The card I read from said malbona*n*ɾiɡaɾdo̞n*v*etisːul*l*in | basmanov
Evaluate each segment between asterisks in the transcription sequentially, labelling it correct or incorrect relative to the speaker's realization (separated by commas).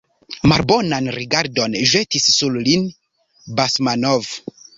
correct, incorrect, correct